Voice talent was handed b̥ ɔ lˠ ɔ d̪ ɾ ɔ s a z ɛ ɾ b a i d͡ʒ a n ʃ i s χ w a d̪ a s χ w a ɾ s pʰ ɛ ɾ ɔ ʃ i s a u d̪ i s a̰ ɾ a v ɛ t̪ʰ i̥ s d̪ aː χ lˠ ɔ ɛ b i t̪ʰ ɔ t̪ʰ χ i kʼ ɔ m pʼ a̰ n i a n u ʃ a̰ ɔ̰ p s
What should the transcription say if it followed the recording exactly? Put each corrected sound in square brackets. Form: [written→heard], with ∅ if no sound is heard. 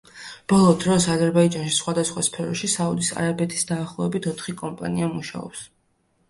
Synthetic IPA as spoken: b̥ ɔ lˠ ɔ d̪ ɾ ɔ s a z ɛ ɾ b a i d͡ʒ a n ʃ i s χ w a d̪ a s χ w a [ɾ→∅] s pʰ ɛ ɾ ɔ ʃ i s a u d̪ i s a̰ ɾ a [v→b] ɛ t̪ʰ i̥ s d̪ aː χ lˠ ɔ ɛ b i t̪ʰ ɔ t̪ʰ χ i kʼ ɔ m pʼ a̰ n i a [n→m] u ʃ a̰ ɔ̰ p s